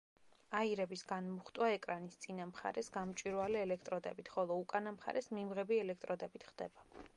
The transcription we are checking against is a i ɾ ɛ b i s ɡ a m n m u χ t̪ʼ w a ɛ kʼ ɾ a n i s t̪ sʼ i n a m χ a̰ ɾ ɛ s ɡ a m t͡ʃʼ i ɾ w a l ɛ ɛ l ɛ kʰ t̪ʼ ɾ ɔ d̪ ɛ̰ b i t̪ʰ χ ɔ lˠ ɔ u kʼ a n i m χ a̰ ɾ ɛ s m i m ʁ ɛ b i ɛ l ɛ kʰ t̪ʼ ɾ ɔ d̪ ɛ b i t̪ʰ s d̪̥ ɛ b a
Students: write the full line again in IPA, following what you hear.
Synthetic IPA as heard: a i ɾ ɛ b i s ɡ a n m u χ t̪ʼ w a ɛ kʼ ɾ a n i s t̪ sʼ i n a m χ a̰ ɾ ɛ s ɡ a m t͡ʃʼ i ɾ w a l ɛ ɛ l ɛ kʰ t̪ʼ ɾ ɔ d̪ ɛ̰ b i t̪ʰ χ ɔ lˠ ɔ u kʼ a n a m χ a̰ ɾ ɛ s m i m ʁ ɛ b i ɛ l ɛ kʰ t̪ʼ ɾ ɔ d̪ ɛ b i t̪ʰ χ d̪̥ ɛ b a